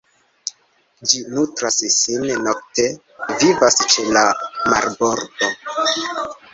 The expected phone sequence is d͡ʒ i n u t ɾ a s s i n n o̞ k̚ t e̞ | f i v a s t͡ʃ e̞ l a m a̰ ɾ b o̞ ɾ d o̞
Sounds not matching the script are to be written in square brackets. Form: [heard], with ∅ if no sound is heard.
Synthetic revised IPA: d͡ʒ i n u t ɾ a s s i n n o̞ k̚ t e̞ | [v] i v a s t͡ʃ e̞ l a m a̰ ɾ b o̞ ɾ d o̞